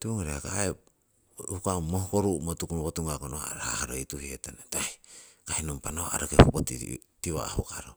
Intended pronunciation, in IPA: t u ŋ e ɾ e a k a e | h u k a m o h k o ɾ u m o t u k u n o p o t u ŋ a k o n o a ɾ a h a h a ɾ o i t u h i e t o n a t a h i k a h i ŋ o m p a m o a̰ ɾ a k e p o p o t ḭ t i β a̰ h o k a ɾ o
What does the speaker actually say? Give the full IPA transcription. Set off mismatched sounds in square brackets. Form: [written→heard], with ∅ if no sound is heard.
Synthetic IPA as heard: t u ŋ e ɾ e a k a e | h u k a m o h k o ɾ u m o t u k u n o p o t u ŋ a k o n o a ɾ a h a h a ɾ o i t u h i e t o n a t a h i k a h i [ŋ→n] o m p a [m→n] o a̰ ɾ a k e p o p o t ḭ t i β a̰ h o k a ɾ o